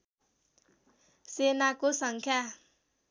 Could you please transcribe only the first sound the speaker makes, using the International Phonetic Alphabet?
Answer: s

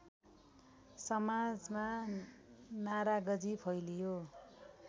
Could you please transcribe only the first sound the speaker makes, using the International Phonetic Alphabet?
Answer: s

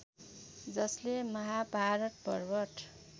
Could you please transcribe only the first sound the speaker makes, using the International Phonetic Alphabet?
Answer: d͡z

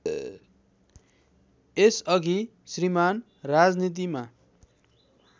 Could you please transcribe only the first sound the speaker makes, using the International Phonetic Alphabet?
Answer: e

